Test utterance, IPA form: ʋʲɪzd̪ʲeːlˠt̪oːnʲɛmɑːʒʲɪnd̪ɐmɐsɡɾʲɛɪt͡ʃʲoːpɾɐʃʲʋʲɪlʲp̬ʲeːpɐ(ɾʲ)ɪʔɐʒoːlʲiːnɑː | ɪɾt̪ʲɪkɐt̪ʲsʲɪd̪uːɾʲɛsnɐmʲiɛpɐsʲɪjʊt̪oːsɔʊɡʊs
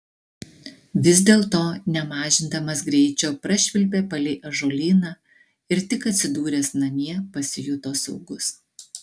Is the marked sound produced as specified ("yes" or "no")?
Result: no